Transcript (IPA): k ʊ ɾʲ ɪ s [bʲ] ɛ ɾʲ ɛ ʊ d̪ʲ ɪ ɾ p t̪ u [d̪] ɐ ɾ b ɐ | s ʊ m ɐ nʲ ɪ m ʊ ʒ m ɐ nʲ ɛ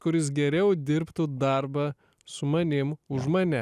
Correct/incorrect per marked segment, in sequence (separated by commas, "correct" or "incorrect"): incorrect, correct